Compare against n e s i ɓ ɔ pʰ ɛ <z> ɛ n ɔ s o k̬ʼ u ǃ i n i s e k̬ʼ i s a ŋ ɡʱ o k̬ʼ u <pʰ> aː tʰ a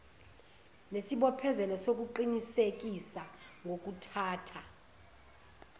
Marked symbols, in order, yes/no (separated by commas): yes, no